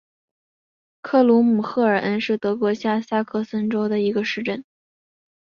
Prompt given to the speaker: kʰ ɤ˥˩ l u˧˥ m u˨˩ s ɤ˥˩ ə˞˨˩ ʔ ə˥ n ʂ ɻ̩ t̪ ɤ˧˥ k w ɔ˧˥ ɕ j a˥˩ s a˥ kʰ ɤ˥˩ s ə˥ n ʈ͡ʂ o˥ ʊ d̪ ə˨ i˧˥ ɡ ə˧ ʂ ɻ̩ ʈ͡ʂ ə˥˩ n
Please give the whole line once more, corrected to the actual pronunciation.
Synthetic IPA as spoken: kʰ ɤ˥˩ l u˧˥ m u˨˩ x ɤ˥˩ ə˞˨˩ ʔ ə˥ n ʂ ɻ̩ t̪ ɤ˧˥ k w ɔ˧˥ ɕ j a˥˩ s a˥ kʰ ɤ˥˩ s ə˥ n ʈ͡ʂ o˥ ʊ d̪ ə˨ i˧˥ ɡ ə˧ ʂ ɻ̩ ʈ͡ʂ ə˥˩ n

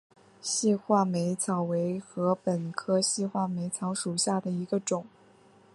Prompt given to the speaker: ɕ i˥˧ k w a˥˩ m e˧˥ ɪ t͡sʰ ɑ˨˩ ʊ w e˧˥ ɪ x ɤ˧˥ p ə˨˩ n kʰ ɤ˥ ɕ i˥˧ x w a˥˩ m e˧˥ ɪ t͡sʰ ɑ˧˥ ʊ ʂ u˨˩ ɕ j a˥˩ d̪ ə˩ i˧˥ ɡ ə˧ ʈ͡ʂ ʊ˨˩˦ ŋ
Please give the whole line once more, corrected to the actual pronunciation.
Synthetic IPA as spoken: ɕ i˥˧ x w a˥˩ m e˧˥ ɪ t͡sʰ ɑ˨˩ ʊ w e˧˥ ɪ x ɤ˧˥ p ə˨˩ n kʰ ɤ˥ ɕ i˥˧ x w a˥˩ m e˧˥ ɪ t͡sʰ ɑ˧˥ ʊ ʂ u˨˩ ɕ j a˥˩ d̪ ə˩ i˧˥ ɡ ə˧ ʈ͡ʂ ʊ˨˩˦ ŋ

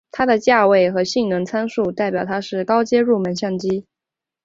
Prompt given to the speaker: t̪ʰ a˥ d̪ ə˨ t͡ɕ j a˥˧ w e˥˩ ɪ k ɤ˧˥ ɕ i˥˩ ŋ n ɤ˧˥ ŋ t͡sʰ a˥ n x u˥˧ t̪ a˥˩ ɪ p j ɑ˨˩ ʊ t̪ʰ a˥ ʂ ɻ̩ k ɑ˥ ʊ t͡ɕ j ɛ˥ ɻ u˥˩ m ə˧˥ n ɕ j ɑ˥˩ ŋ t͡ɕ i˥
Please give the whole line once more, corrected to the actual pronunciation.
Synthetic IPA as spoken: t̪ʰ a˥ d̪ ə˨ t͡ɕ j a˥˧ w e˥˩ ɪ x ɤ˧˥ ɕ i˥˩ ŋ n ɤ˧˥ ŋ t͡sʰ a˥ n ʂ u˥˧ t̪ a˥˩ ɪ p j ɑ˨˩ ʊ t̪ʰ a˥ ʂ ɻ̩ k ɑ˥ ʊ t͡ɕ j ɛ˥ ɻ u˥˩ m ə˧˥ n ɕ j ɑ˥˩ ŋ t͡ɕ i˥

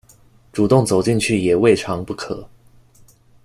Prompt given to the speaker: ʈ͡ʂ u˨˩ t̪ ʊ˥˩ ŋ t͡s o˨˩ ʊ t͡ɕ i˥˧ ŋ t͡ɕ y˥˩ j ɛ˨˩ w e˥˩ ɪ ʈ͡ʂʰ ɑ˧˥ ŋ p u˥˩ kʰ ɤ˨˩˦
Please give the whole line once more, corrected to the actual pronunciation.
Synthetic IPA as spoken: ʈ͡ʂ u˨˩ t̪ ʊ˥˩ ŋ t͡s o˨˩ ʊ t͡ɕ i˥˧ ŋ t͡ɕʰ y˥˩ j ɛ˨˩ w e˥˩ ɪ ʈ͡ʂʰ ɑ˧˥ ŋ p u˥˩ kʰ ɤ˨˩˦

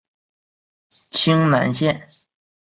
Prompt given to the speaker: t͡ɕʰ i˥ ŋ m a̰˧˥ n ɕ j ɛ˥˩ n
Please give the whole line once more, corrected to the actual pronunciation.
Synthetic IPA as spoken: t͡ɕʰ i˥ ŋ n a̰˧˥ n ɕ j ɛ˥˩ n

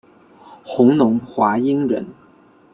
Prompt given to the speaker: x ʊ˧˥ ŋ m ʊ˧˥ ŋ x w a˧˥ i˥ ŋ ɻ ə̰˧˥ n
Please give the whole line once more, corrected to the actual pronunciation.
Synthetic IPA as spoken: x ʊ˧˥ ŋ n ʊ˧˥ ŋ x w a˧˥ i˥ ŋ ɻ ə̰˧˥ n

